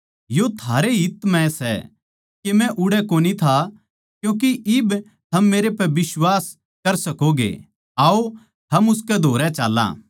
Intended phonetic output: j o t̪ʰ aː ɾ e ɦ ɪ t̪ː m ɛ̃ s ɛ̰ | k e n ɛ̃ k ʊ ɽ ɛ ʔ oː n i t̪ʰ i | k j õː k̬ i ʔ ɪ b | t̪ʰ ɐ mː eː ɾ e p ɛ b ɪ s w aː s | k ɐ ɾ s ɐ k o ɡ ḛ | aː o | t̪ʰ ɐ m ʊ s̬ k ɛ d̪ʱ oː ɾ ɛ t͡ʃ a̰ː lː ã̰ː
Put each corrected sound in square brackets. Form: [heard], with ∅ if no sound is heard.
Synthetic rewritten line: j o t̪ʰ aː ɾ e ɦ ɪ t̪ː m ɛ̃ s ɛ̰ | k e [m] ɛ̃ [ʔ] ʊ ɽ ɛ [k] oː n i t̪ʰ [a] | k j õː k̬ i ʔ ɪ b | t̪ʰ ɐ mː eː ɾ e p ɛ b ɪ s w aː s | k ɐ ɾ s ɐ k o ɡ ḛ | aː o | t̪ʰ ɐ m ʊ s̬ k ɛ d̪ʱ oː ɾ ɛ t͡ʃ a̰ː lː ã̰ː